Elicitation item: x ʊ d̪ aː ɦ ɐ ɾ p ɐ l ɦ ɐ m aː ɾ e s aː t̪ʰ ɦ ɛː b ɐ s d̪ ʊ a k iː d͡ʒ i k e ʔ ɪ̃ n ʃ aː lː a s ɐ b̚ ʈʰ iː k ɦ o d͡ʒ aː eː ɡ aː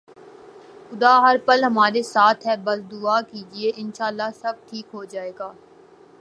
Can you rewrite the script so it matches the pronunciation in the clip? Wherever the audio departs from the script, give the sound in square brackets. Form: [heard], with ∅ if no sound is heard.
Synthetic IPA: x ʊ d̪ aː ɦ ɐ ɾ p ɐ l ɦ ɐ m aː ɾ e s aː t̪ʰ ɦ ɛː b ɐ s d̪ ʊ a k iː d͡ʒ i [∅] e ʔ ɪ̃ n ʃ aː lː a s ɐ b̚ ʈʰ iː k ɦ o d͡ʒ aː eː ɡ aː